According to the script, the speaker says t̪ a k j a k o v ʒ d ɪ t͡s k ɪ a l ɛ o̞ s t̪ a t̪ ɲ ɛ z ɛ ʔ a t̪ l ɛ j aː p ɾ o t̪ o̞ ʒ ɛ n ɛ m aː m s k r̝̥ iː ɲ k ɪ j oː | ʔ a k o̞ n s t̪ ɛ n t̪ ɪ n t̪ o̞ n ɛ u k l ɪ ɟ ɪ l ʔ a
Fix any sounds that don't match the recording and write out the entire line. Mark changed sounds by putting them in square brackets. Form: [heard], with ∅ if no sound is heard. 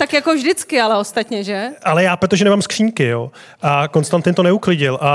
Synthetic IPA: t̪ a k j a k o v ʒ d ɪ t͡s k ɪ a l ɛ o̞ s t̪ a t̪ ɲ ɛ [ʒ] ɛ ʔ a [∅] l ɛ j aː p ɾ o t̪ o̞ ʒ ɛ n ɛ m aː m s k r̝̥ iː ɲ k ɪ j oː | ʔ a k o̞ n s t̪ [a] n t̪ ɪ n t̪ o̞ n ɛ u k l ɪ ɟ ɪ l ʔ a